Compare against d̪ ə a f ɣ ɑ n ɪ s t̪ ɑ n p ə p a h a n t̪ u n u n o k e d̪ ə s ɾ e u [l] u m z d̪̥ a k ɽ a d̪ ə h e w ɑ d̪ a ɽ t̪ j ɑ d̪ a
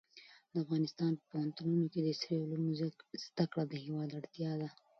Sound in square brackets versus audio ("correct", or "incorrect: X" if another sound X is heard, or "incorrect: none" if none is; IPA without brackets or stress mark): correct